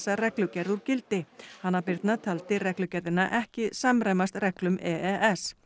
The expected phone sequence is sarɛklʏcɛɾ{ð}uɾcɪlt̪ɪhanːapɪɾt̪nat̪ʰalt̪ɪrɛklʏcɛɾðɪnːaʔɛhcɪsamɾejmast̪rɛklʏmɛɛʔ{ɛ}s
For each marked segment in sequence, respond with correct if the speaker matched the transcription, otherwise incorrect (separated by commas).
correct, correct